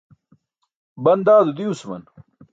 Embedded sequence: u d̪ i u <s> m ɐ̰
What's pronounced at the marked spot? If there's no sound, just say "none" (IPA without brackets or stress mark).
s